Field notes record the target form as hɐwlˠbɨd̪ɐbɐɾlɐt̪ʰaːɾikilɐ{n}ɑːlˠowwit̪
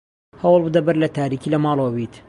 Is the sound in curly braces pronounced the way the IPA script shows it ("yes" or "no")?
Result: no